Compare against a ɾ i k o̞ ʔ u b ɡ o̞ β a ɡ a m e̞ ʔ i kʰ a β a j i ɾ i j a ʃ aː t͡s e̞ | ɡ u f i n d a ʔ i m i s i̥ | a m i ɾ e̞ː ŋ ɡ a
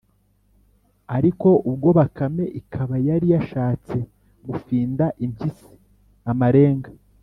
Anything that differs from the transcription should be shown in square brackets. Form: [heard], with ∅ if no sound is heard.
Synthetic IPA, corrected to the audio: a ɾ i k o̞ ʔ u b ɡ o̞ β a [k] a m e̞ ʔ i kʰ a β a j [a] ɾ i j a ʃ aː t͡s e̞ | ɡ u f [iː] n d a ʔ i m i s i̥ | a m [a] ɾ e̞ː ŋ ɡ a